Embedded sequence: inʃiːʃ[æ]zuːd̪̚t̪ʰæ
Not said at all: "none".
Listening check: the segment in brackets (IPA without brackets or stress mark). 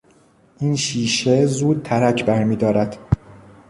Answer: e